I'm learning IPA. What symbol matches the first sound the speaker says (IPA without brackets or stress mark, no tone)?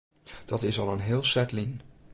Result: d̥